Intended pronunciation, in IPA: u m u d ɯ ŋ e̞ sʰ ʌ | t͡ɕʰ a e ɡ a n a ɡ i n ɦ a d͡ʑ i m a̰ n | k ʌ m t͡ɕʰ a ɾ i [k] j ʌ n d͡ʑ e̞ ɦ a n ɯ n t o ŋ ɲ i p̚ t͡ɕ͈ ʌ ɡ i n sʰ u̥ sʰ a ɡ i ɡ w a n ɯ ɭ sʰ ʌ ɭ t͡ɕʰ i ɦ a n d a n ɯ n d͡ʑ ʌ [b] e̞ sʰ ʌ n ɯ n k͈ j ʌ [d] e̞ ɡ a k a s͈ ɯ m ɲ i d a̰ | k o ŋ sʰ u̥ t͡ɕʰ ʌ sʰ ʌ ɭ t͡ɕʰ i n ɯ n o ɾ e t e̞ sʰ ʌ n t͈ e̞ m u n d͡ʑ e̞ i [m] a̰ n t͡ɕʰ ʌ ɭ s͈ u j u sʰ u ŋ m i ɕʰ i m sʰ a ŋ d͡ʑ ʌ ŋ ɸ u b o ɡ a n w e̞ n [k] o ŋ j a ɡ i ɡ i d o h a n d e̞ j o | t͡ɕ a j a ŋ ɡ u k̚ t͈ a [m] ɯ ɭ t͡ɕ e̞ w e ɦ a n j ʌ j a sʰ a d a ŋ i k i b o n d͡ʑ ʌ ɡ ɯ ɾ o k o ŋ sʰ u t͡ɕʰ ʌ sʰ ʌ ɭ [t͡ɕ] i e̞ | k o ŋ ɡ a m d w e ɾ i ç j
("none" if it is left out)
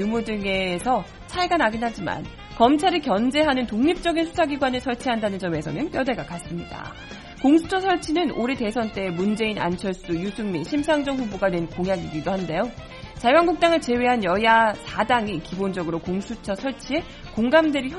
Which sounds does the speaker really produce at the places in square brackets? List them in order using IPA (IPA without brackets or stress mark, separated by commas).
k, m, d, n, k, ŋ, t͡ɕʰ